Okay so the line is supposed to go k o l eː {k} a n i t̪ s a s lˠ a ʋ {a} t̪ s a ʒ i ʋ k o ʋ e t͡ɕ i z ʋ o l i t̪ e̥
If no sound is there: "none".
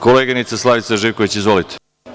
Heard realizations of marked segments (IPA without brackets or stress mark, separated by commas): ɡ, i